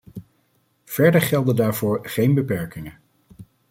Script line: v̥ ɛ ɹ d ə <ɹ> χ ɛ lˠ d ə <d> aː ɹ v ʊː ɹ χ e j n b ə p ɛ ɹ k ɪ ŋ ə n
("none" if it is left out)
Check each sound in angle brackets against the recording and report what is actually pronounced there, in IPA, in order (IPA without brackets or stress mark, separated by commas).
ɹ, d